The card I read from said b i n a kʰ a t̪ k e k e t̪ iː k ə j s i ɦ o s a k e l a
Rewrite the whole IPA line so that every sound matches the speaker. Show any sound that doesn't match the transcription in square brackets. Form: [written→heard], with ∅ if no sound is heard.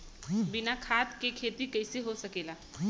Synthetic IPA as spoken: b i n a kʰ a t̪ k e [k→kʰ] e t̪ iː k ə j s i ɦ o s [a→ə] k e l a